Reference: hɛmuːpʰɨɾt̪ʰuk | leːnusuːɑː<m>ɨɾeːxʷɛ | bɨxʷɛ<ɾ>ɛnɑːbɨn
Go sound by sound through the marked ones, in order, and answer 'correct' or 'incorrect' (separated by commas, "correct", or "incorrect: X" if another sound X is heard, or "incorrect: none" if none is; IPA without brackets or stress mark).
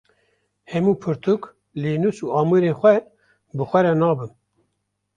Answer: correct, correct